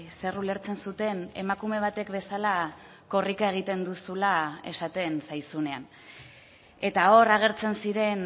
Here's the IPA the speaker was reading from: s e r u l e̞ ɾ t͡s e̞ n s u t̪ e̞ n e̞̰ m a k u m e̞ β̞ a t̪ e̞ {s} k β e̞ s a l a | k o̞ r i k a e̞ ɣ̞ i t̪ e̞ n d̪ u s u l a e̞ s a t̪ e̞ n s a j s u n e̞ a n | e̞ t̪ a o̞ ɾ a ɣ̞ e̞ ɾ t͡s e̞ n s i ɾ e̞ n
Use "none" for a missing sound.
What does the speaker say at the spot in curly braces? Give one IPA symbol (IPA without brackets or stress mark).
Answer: none